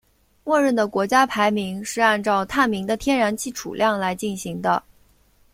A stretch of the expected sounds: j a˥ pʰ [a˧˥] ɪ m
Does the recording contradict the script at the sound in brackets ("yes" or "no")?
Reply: no